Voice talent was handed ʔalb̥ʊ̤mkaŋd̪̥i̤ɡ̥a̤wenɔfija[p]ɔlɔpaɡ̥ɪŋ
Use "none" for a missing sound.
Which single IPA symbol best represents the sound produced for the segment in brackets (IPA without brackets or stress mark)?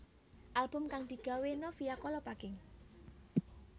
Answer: k